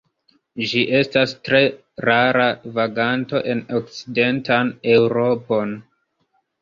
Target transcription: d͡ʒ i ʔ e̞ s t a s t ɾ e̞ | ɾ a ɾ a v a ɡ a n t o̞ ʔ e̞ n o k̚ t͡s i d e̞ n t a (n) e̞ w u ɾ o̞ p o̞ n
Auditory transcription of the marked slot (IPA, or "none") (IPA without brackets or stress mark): n